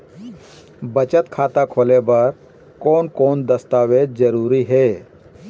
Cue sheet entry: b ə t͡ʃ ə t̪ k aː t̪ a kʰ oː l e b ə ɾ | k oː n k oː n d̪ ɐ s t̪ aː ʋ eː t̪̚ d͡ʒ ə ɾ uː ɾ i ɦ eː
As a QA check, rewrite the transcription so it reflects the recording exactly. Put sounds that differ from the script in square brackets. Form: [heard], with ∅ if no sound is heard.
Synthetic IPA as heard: b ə t͡ʃ ə t̪ [kʰ] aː t̪ a kʰ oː l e b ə ɾ | k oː n k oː n d̪ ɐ s t̪ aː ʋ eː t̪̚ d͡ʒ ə ɾ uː ɾ i ɦ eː